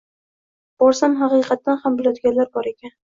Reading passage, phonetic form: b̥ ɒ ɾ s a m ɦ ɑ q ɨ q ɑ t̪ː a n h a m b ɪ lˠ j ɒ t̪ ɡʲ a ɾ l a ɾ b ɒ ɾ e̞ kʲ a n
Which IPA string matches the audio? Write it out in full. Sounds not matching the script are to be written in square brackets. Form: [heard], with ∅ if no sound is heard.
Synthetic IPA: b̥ ɒ ɾ s a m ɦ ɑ q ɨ q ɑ t̪ː a n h a m b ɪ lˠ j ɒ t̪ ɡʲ a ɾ l a ɾ b ɒ ɾ e̞ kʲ a n

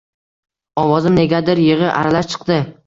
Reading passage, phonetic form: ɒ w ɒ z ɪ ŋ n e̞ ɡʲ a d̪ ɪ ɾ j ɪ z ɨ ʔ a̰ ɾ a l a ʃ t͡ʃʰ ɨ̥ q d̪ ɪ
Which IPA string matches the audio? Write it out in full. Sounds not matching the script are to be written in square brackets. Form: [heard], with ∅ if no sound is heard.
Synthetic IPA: ɒ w ɒ z ɪ [m] n e̞ ɡʲ a d̪ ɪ ɾ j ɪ [ʁ] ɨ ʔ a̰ ɾ a l a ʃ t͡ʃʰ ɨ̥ q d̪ ɪ

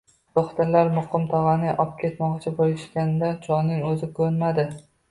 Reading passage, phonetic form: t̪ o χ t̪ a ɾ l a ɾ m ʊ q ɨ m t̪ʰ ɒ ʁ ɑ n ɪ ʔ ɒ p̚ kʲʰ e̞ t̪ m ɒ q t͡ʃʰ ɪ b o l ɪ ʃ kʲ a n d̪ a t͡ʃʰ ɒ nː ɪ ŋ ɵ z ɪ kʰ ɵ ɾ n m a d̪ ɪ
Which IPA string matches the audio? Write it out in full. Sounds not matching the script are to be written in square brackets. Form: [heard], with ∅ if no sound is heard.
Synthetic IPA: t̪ o χ t̪ a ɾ l a ɾ m ʊ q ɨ m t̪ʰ ɒ ʁ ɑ n ɪ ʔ ɒ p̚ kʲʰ e̞ t̪ m ɒ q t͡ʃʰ ɪ b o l ɪ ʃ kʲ a n d̪ a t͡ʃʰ ɒ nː ɪ ŋ ɵ z ɪ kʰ ɵ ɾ n m a d̪ ɪ

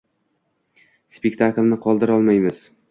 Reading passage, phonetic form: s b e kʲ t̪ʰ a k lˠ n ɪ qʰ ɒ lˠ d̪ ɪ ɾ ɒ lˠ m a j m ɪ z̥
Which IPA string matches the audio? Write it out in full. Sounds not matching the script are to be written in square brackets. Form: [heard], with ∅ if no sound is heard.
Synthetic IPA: s [p] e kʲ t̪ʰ a k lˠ n ɪ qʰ ɒ lˠ d̪ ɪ ɾ ɒ lˠ m a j m ɪ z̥

